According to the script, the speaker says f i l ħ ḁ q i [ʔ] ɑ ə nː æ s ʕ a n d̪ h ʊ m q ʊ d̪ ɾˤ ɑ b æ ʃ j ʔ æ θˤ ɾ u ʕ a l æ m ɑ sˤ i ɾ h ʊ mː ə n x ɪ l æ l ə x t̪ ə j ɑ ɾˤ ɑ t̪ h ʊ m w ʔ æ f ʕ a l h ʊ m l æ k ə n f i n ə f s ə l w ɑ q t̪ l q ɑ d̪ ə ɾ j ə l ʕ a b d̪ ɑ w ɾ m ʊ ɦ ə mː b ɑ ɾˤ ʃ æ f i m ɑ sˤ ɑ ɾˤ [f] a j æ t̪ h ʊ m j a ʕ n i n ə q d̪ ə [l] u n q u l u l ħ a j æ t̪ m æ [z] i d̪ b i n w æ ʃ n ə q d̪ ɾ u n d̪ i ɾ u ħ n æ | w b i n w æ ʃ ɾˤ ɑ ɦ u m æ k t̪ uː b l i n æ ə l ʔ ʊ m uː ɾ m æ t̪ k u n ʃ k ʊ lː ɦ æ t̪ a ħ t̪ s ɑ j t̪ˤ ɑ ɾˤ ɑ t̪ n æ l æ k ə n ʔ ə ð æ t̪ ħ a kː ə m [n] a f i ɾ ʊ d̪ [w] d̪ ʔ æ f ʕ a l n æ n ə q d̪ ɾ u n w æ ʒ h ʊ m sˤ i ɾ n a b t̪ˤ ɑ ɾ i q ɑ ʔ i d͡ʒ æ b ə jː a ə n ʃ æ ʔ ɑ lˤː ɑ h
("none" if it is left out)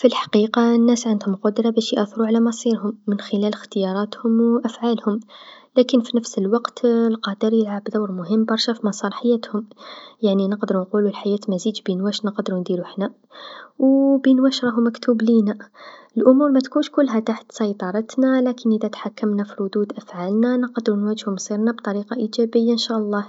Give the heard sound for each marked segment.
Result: q, ħ, ɾ, z, n, u

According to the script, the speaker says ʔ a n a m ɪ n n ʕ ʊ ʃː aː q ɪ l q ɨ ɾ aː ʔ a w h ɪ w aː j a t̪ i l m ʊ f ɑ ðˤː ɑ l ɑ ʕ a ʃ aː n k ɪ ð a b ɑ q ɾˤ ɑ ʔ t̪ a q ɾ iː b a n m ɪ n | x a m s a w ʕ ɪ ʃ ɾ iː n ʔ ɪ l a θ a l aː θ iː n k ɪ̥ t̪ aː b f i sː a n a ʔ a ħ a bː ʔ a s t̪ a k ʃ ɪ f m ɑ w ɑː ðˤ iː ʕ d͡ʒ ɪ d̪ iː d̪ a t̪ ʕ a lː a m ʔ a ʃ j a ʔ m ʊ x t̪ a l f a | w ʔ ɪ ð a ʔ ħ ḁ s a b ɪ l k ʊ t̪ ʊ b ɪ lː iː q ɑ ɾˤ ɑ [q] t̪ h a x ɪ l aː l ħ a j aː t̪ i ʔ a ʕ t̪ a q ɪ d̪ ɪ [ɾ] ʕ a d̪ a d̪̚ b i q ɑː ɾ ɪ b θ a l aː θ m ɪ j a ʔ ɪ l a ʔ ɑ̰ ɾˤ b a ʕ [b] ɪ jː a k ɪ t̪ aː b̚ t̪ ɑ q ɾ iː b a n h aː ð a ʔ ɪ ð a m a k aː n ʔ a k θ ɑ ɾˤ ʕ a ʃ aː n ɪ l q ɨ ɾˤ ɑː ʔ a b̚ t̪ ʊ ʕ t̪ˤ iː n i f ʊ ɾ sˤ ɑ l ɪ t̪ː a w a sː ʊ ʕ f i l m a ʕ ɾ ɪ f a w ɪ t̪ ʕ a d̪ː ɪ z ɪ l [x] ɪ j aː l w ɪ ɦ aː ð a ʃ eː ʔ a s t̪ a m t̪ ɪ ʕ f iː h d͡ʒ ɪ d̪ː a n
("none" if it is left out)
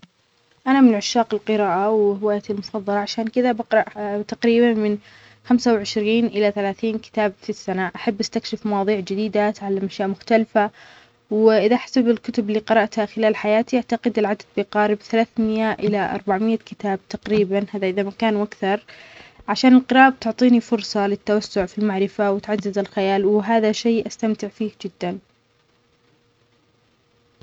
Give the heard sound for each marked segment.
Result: ʔ, l, m, x

